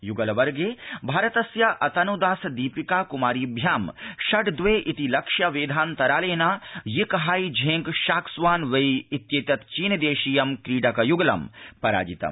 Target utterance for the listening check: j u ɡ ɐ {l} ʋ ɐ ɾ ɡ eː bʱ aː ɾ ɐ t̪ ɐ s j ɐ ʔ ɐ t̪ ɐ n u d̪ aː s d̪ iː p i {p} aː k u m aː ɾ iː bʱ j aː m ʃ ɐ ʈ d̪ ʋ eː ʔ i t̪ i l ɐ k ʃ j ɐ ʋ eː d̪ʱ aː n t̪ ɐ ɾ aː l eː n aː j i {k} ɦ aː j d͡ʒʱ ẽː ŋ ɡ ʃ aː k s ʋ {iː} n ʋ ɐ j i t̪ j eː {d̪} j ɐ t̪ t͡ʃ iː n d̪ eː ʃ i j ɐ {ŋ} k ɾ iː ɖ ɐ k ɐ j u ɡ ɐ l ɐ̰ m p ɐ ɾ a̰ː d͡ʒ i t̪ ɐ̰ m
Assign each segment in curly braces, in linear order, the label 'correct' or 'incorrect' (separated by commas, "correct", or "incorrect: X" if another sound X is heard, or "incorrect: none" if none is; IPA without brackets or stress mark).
correct, incorrect: k, correct, incorrect: aː, incorrect: t̪, incorrect: m